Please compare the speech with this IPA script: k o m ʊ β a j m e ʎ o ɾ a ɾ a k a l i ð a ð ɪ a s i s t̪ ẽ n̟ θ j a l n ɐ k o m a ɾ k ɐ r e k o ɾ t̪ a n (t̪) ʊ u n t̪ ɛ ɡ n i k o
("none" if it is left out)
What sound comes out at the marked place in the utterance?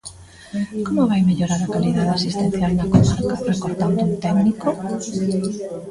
d̪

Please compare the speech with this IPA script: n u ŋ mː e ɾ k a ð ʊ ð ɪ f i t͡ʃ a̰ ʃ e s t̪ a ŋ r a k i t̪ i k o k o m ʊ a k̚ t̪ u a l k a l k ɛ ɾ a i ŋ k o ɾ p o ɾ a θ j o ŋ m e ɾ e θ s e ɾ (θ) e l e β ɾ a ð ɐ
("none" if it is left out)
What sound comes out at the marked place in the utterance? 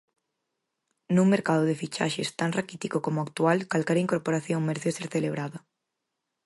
θ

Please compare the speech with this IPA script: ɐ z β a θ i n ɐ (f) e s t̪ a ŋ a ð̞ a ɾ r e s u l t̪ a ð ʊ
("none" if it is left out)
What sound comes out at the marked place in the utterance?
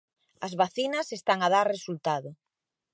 s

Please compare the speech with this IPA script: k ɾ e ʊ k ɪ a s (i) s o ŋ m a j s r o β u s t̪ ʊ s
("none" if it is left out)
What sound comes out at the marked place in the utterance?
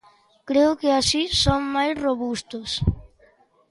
i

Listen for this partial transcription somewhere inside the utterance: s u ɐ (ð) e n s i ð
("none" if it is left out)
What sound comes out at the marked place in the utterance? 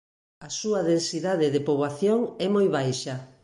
ð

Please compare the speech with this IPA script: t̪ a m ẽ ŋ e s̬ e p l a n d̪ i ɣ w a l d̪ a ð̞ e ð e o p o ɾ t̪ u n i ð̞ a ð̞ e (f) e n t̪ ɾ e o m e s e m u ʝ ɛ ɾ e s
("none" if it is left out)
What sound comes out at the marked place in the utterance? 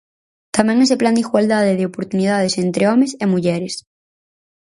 s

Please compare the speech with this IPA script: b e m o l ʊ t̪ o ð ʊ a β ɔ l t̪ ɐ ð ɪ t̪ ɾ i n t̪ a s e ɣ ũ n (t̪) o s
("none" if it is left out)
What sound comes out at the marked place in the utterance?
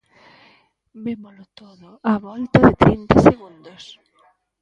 d̪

